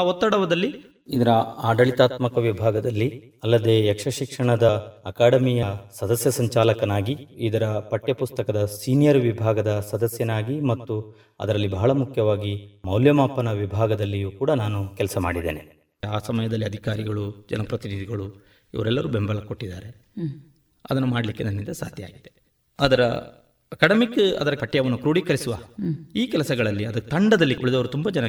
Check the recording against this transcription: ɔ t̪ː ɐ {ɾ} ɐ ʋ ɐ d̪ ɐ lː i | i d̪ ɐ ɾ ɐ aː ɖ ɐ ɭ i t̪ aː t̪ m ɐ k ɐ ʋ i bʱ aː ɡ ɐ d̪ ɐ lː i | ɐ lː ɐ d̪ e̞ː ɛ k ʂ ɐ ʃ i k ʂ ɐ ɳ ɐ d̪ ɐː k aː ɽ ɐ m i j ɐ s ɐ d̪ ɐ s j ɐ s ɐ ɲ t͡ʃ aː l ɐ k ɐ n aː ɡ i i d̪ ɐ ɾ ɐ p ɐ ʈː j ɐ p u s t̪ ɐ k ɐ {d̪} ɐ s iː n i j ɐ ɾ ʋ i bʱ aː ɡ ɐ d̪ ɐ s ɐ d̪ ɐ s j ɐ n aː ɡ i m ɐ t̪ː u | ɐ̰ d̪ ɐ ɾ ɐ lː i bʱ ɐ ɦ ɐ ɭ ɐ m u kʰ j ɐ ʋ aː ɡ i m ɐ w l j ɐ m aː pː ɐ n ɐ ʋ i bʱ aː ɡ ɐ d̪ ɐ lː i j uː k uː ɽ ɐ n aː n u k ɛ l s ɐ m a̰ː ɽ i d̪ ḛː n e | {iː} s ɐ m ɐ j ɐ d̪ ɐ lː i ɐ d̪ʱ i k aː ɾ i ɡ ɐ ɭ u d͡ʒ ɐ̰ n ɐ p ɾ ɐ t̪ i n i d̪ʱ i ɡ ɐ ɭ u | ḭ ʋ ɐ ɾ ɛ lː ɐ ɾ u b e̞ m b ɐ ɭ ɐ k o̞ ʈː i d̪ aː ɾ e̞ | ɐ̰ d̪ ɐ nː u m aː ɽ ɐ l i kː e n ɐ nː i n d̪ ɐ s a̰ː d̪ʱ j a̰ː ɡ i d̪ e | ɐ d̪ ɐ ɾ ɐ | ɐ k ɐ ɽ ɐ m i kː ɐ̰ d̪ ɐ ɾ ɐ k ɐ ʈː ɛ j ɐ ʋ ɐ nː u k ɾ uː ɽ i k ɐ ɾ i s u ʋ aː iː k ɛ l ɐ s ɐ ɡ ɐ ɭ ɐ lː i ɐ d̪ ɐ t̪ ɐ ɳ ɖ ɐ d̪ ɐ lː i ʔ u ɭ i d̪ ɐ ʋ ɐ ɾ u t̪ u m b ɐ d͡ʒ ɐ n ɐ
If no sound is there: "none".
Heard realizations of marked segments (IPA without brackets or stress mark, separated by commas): ɽ, d̪, aː